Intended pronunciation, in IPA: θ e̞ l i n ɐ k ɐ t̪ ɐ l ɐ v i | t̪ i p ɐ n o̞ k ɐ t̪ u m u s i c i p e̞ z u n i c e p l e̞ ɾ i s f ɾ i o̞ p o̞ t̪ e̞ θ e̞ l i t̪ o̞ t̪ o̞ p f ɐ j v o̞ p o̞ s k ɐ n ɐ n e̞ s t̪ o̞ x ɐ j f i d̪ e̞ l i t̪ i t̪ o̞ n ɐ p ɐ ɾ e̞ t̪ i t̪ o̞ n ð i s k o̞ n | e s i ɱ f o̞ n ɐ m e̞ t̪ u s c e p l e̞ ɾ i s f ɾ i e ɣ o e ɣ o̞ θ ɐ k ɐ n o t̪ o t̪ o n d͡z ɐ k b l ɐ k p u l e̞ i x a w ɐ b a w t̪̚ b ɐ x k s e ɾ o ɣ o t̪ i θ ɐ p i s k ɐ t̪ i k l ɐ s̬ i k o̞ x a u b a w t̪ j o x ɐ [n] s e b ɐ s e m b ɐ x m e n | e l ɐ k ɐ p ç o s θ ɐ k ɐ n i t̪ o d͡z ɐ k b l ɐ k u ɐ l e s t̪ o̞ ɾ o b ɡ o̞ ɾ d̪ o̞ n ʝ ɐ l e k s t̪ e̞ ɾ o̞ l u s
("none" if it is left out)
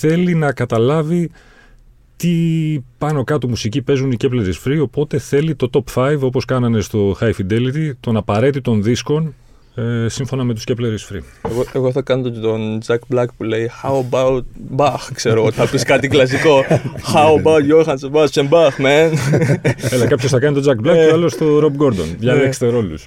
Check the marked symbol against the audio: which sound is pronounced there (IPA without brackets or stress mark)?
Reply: n